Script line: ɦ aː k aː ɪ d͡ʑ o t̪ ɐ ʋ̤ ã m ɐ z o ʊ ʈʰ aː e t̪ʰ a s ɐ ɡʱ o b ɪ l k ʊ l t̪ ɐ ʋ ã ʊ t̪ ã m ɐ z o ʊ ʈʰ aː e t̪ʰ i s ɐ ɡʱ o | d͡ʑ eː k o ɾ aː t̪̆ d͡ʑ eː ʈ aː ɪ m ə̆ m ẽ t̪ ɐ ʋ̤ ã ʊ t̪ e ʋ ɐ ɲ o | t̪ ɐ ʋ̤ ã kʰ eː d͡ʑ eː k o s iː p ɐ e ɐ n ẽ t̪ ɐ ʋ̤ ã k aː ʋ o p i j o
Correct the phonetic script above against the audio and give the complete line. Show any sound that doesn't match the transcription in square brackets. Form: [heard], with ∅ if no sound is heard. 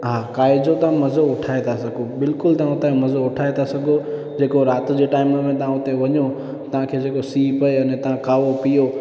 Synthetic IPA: ɦ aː k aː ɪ d͡ʑ o t̪ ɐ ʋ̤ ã m ɐ z o ʊ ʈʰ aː e t̪ʰ a s ɐ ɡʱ o b ɪ l k ʊ l t̪ ɐ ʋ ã ʊ t̪ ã m ɐ z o ʊ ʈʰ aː e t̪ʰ [a] s ɐ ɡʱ o | d͡ʑ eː k o ɾ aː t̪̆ d͡ʑ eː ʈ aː ɪ m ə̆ m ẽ t̪ ɐ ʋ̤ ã ʊ t̪ e ʋ ɐ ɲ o | t̪ ɐ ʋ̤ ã kʰ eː d͡ʑ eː k o s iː p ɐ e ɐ n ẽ t̪ ɐ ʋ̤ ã k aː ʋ o p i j o

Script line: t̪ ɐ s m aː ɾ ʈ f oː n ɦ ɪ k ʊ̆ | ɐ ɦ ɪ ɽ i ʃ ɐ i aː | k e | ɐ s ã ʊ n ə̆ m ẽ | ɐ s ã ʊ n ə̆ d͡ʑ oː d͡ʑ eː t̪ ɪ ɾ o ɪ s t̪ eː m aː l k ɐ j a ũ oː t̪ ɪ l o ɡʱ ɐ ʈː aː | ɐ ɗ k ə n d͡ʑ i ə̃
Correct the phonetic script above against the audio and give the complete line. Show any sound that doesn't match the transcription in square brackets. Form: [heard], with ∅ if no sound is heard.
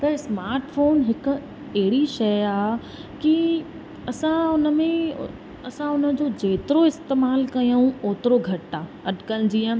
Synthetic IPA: t̪ ɐ s m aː ɾ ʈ f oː n ɦ ɪ k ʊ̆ | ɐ ɦ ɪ ɽ i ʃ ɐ [j] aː | k [i] | ɐ s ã ʊ n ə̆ m ẽ | ɐ s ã ʊ n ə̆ d͡ʑ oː d͡ʑ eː t̪ ɪ ɾ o ɪ s t̪ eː m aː l k ɐ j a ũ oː t̪ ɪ [ɾ] o ɡʱ ɐ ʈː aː | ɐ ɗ k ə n d͡ʑ i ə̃

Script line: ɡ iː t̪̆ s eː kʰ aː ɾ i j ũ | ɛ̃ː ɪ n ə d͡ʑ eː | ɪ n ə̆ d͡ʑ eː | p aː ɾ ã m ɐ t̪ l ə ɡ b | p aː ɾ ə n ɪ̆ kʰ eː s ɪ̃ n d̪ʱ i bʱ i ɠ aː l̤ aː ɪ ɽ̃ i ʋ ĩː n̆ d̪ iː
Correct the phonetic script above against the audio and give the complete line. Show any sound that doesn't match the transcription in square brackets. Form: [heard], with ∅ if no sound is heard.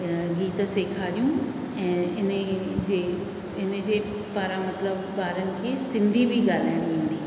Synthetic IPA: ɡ iː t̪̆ s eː kʰ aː ɾ i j ũ | ɛ̃ː ɪ n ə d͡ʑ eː | ɪ n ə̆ d͡ʑ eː | p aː ɾ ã m ɐ t̪ l ə [∅] b | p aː ɾ ə n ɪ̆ kʰ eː s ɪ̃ n d̪ʱ i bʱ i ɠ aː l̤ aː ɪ ɽ̃ i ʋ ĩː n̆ d̪ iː

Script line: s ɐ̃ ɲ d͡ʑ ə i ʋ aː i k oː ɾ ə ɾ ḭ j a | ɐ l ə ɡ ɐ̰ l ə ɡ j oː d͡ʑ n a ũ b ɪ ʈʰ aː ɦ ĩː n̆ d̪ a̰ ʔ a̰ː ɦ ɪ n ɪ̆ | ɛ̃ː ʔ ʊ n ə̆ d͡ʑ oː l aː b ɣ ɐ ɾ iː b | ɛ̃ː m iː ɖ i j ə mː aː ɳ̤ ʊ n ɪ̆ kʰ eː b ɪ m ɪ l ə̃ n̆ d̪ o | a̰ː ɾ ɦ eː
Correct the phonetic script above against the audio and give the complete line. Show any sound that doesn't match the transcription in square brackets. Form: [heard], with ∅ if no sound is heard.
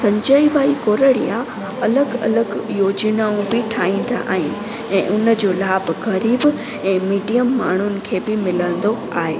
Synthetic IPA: s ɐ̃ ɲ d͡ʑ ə i ʋ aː i k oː ɾ ə [ɽ] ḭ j a | ɐ l ə ɡ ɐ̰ l ə ɡ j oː d͡ʑ n a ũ b ɪ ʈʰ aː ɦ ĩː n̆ d̪ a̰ ʔ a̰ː ɦ ɪ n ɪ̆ | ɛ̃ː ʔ ʊ n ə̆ d͡ʑ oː l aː b ɣ ɐ ɾ iː b | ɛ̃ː m iː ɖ i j ə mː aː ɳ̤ ʊ n ɪ̆ kʰ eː b ɪ m ɪ l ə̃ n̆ d̪ o | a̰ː [∅] ɦ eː

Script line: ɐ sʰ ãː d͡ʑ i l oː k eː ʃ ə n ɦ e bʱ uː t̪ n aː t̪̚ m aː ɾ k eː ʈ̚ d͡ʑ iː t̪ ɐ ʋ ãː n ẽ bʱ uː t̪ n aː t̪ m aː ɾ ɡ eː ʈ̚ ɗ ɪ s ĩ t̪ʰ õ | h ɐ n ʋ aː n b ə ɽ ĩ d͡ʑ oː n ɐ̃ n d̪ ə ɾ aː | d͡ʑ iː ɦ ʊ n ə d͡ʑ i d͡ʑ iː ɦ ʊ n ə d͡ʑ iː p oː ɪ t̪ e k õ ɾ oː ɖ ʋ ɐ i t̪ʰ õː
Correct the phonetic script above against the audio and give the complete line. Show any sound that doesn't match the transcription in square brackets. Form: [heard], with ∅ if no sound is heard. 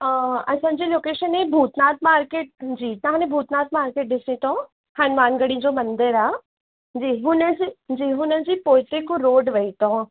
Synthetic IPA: ɐ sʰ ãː d͡ʑ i l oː k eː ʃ ə n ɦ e bʱ uː t̪ n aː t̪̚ m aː ɾ k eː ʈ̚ d͡ʑ iː t̪ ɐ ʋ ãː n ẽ bʱ uː t̪ n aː t̪ m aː ɾ [k] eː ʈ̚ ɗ ɪ s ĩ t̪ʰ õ | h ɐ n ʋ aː n [ɡ] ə ɽ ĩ d͡ʑ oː [m] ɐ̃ n d̪ ə ɾ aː | d͡ʑ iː ɦ ʊ n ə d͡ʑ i d͡ʑ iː ɦ ʊ n ə d͡ʑ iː p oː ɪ t̪ e k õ ɾ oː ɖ ʋ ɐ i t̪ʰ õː

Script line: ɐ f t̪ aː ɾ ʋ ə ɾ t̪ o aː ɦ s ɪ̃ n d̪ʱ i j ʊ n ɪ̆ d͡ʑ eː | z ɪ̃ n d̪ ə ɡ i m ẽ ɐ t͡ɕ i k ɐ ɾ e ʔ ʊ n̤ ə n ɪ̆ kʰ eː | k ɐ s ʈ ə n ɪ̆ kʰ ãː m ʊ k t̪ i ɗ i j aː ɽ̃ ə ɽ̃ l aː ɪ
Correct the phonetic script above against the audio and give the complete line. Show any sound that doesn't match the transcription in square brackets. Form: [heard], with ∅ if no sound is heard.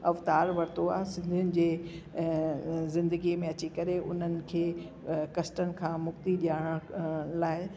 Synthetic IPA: ɐ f t̪ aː ɾ ʋ [ɐ] ɾ t̪ o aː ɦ s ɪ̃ n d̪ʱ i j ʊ n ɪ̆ d͡ʑ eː | z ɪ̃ n d̪ ə ɡ i m ẽ ɐ t͡ɕ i k ɐ ɾ e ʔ ʊ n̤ ə n ɪ̆ kʰ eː | k ɐ s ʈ ə n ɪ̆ kʰ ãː m ʊ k t̪ i ɗ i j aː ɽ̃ ə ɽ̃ l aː ɪ

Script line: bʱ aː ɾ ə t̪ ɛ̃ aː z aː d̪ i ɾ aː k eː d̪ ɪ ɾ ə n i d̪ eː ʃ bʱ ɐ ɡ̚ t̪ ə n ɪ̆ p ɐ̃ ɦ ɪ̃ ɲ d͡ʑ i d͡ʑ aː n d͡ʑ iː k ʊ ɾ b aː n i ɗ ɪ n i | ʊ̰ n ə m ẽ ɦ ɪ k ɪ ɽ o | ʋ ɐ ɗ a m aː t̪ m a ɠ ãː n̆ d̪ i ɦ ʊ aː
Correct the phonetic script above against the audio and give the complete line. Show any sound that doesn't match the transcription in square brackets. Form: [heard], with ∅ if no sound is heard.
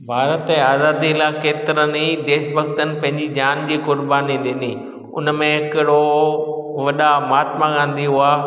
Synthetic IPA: bʱ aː ɾ ə t̪ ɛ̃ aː z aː d̪ i [l] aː k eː [t̪] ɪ ɾ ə n i d̪ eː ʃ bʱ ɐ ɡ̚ t̪ ə n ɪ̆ p ɐ̃ ɦ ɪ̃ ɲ d͡ʑ i d͡ʑ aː n d͡ʑ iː k ʊ ɾ b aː n i ɗ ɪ n i | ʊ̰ n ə m ẽ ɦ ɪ k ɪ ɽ o | ʋ ɐ ɗ a m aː t̪ m a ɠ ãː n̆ d̪ i ɦ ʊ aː

